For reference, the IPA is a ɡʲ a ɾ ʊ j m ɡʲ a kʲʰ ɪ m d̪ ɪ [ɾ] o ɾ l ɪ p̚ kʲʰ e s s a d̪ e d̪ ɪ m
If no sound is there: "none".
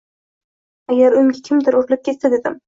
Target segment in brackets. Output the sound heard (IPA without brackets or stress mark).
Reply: ɾ